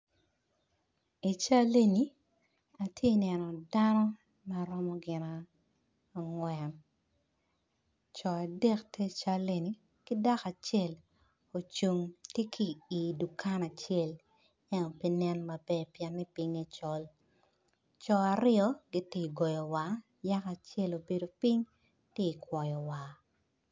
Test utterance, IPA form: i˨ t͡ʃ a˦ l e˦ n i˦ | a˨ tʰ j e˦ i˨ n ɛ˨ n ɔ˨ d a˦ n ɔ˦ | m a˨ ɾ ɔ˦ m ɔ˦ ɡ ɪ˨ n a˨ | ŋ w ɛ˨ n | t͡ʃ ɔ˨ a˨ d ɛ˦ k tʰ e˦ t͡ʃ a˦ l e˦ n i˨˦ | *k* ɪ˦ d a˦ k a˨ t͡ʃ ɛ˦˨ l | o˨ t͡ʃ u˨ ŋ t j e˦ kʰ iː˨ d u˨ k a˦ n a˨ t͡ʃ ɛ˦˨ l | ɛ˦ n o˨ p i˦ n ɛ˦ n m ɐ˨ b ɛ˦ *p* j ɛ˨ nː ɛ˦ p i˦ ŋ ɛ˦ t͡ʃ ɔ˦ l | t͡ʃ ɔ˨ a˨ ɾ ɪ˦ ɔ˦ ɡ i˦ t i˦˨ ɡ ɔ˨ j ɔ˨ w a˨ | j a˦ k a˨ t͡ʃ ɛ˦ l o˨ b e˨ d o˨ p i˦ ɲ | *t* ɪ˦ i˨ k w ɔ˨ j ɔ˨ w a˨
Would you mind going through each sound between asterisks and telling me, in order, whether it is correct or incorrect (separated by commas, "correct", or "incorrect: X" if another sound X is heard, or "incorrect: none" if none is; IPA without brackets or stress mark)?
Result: correct, correct, correct